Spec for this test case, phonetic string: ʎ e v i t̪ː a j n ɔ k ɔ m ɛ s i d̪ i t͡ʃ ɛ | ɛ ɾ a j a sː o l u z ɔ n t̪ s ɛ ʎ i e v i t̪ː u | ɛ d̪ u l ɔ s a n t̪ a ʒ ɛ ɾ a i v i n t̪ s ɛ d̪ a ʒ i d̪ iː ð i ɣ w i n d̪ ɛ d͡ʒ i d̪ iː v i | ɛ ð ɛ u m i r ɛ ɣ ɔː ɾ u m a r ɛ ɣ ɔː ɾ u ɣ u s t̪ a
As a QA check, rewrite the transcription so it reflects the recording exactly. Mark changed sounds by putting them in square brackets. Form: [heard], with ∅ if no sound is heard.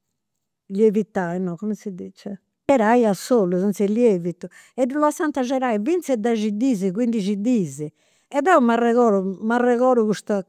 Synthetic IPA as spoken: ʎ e v i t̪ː a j n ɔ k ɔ m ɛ s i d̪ i t͡ʃ ɛ | ɛ ɾ a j a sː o l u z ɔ n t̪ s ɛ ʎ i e v i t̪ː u | ɛ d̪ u l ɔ s a n t̪ a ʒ ɛ ɾ a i v i n t̪ s ɛ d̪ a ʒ i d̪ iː [z] i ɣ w i n d̪ [i] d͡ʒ i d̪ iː [z] i | ɛ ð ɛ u m [a] r ɛ ɣ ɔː ɾ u m a r ɛ ɣ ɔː ɾ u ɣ u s t̪ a